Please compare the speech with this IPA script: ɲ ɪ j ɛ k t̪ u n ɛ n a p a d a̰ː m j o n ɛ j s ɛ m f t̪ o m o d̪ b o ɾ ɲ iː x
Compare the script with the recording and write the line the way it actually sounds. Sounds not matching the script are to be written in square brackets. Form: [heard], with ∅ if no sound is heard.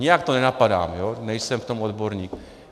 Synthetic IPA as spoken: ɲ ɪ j [a] k t̪ [o] n ɛ n a p a d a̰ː m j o n ɛ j s ɛ m f t̪ o m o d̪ b o ɾ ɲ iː [k]

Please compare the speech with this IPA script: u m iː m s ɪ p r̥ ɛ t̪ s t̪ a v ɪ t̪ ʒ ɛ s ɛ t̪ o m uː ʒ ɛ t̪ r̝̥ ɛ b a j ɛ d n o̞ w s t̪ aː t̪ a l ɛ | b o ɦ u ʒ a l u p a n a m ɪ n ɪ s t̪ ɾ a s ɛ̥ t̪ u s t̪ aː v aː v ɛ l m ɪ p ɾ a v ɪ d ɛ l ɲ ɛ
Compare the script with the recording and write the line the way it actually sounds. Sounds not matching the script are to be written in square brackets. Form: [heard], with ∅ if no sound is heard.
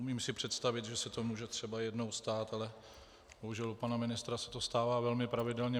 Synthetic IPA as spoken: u m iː m s ɪ p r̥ ɛ t̪ s t̪ a v ɪ t̪ ʒ ɛ s ɛ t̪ o m uː ʒ ɛ t̪ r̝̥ ɛ b a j ɛ d n o̞ w s t̪ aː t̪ a l ɛ | b o ɦ u ʒ [ɛ] l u p a n a m ɪ n ɪ s t̪ ɾ a s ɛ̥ t̪ [o] s t̪ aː v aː v ɛ l m ɪ p ɾ a v ɪ d ɛ l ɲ ɛ

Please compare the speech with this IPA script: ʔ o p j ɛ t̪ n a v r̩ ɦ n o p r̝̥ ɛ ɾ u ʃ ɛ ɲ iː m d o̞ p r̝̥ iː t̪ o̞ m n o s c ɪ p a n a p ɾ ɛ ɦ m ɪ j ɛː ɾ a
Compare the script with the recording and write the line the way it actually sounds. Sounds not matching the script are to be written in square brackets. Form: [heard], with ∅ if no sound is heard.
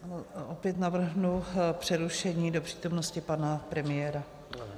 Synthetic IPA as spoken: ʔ o p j ɛ t̪ n a v r̩ ɦ n [u] p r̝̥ ɛ ɾ u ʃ ɛ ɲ iː [∅] d o̞ p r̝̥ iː t̪ o̞ m n o s c ɪ p a n a p ɾ ɛ [∅] m ɪ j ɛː ɾ a

